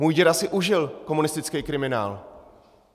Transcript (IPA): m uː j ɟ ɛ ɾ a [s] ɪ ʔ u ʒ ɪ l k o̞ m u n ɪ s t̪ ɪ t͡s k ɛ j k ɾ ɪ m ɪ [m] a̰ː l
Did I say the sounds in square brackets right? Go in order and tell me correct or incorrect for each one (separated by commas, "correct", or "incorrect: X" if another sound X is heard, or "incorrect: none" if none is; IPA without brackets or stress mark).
correct, incorrect: n